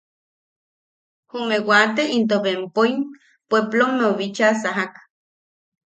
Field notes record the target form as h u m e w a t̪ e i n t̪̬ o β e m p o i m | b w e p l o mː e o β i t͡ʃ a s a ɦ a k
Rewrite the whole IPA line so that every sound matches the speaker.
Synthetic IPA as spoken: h u m e w a t̪ e i n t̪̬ o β e m p o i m | p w e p l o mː e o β i t͡ʃ a s a ɦ a k